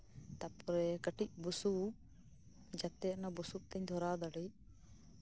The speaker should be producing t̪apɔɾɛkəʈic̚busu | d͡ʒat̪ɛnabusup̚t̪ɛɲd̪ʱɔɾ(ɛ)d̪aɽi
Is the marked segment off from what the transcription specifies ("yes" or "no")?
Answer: yes